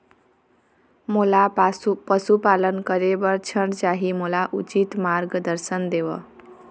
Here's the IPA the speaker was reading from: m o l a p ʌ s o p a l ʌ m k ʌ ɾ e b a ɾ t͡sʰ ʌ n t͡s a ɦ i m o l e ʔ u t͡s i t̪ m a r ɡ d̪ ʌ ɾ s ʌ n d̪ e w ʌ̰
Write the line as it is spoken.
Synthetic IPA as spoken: m o l a p ʌ s u p a l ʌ n k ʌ ɾ e b ʌ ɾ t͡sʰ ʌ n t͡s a ɦ i m o l a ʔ u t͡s i t̪ m a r ɡ d̪ ʌ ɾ s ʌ n d̪ e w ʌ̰